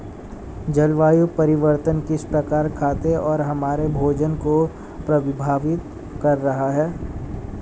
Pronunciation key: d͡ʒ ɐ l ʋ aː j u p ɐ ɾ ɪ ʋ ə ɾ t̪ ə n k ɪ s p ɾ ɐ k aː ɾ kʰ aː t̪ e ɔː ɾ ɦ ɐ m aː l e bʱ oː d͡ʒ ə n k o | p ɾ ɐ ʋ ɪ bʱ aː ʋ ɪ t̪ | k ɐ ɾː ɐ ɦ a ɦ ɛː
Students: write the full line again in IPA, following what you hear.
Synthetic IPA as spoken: d͡ʒ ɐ l ʋ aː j u p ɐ ɾ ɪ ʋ ə ɾ t̪ ə n k ɪ s p ɾ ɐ k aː ɾ kʰ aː t̪ e ɔː ɾ ɦ ɐ m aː ɾ e bʱ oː d͡ʒ ə n k o | p ɾ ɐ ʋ ɪ bʱ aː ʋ ɪ t̪ | k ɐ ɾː ɐ ɦ a ɦ ɛː